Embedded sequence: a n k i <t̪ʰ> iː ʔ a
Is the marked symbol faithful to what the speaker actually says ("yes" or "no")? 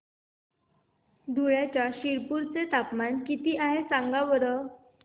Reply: no